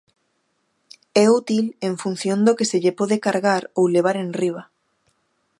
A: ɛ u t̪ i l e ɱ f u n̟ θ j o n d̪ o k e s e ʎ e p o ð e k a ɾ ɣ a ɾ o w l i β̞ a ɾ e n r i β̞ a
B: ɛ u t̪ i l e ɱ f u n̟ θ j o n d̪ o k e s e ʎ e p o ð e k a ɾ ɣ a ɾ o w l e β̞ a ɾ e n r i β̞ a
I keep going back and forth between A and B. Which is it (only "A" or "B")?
B